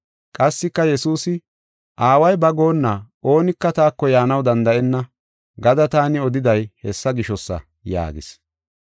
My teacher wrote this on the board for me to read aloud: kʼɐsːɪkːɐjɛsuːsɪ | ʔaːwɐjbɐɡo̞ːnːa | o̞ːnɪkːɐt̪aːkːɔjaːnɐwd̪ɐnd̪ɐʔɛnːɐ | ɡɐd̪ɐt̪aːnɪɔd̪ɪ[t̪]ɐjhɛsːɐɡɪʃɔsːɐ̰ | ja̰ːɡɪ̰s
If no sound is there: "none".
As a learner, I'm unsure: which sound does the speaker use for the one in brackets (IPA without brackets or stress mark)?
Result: d̪